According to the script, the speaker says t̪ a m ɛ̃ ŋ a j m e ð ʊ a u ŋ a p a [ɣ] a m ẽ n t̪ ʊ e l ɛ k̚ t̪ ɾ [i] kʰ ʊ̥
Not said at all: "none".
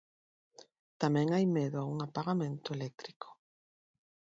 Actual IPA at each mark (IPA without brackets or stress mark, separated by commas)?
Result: ɣ, i